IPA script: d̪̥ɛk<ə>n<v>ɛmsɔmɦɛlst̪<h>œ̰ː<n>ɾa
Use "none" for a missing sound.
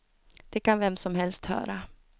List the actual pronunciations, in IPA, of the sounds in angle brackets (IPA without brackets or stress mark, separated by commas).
a, v, h, none